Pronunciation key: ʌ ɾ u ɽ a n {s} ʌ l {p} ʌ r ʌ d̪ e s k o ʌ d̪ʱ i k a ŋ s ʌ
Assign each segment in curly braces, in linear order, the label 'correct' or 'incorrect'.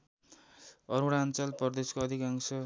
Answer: incorrect, correct

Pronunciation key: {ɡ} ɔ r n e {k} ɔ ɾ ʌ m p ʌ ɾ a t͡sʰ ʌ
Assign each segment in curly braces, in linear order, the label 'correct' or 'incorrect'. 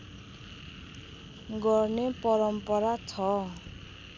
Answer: correct, incorrect

